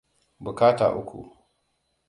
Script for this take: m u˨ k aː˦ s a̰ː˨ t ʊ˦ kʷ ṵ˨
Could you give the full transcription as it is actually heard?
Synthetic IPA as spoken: b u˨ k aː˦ t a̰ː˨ ʔ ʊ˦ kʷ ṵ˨